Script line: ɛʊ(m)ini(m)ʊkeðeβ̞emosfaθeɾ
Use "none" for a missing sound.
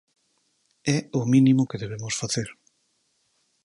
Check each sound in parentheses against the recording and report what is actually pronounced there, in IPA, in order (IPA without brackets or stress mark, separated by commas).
m, m